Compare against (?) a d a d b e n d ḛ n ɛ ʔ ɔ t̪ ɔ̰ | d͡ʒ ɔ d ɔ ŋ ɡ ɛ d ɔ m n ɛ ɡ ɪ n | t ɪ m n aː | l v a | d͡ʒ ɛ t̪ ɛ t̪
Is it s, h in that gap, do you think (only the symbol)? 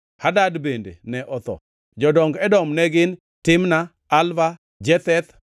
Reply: h